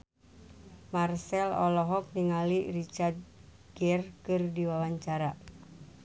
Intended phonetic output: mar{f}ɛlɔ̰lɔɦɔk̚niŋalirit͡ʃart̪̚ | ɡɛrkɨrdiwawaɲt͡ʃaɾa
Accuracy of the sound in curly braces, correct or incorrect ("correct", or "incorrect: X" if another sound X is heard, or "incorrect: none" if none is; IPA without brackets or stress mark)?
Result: incorrect: s